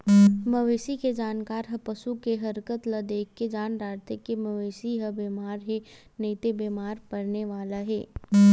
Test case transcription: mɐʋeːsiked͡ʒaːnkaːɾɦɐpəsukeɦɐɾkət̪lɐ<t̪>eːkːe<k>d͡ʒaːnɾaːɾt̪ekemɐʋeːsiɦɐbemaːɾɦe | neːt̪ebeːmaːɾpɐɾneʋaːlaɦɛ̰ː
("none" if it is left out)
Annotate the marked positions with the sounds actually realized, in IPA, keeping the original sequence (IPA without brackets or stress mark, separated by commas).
d̪, none